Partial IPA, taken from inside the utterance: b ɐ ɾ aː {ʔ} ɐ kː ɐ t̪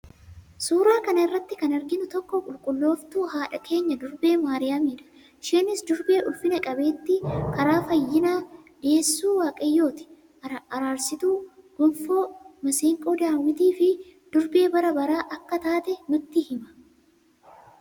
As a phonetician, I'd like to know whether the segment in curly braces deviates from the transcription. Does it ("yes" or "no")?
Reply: no